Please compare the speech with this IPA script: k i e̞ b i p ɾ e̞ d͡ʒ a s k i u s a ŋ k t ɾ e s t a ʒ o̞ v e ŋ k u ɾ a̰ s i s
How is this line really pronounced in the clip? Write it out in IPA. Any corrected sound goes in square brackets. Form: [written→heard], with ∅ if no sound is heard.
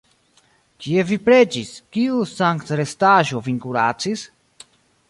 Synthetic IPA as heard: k i e̞ [b→v] i p ɾ e̞ d͡ʒ [a→i] s k i u s a ŋ k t ɾ e s t a ʒ o̞ v [e→i] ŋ k u ɾ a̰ [s→t͡s] i s